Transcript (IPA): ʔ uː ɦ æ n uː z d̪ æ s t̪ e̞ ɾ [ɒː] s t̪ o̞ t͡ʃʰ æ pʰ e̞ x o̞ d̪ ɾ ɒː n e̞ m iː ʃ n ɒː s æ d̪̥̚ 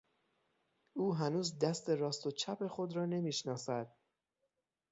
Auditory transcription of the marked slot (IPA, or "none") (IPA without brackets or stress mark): ɒː